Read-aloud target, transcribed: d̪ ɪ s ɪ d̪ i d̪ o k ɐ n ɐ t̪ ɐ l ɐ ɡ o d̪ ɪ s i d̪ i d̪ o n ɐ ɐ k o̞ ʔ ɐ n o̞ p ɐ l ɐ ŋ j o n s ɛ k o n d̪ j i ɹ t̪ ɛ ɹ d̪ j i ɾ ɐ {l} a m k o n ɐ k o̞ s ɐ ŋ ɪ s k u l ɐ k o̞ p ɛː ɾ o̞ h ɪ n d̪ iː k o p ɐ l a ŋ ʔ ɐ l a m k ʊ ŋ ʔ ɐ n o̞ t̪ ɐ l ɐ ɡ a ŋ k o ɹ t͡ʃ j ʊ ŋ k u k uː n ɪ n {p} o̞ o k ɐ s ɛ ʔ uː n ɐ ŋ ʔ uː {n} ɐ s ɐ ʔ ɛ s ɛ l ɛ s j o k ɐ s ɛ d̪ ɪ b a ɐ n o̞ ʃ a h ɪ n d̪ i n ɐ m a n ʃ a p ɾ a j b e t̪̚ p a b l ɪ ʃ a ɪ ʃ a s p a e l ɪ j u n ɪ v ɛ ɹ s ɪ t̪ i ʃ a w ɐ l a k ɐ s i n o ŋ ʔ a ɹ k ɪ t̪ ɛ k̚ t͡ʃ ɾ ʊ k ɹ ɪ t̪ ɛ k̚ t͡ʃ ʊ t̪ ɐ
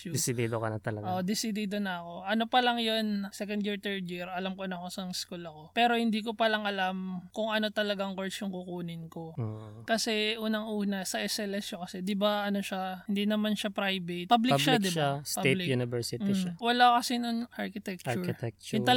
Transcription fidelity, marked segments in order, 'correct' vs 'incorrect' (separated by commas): correct, incorrect, correct